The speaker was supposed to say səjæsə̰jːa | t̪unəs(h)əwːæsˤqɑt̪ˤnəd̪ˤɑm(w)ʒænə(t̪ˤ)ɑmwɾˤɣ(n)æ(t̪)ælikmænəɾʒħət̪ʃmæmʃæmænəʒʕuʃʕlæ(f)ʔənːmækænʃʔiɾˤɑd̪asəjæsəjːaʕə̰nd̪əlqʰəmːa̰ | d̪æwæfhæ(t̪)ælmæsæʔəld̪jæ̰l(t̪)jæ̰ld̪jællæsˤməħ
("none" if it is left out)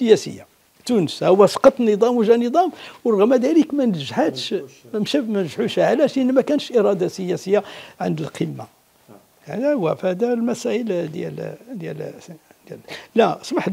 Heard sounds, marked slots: h, w, d̪ˤ, m, d̪, ʃ, d̪, d̪

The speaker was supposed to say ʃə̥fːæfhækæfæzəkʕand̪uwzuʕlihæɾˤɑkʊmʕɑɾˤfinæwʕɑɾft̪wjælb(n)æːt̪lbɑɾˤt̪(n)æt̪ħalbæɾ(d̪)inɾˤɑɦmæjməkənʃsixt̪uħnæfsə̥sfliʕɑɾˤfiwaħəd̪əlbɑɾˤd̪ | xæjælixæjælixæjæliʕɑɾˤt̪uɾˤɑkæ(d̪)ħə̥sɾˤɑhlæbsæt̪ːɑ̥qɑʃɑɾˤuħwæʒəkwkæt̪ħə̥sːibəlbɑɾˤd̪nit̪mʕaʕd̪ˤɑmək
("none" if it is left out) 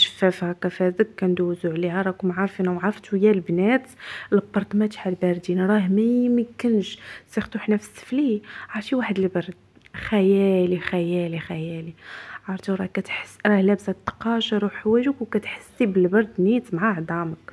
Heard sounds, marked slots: n, m, d̪, t̪

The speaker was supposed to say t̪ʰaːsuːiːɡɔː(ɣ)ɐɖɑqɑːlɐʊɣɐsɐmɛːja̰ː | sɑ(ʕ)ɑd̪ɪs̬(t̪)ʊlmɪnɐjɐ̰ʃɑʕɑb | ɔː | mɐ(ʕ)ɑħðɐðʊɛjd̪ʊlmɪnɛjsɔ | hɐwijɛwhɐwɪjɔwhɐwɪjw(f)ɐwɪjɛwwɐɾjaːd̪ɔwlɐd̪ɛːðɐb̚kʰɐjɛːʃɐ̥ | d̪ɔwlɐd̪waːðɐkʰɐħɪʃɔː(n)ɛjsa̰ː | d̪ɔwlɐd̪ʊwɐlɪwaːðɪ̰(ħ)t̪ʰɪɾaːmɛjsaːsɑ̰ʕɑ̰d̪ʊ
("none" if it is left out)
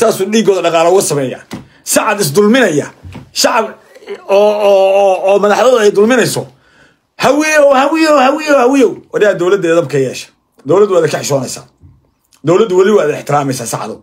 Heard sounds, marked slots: ð, ʕ, d̪, ð, h, n, ħ

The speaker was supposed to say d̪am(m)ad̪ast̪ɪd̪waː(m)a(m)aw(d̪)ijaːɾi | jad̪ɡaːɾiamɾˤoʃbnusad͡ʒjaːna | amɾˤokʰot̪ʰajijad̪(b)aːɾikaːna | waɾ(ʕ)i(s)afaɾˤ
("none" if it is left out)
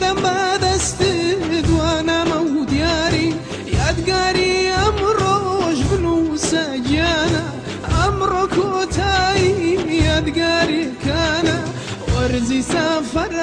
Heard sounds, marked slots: b, n, m, d̪, ɡ, z, s

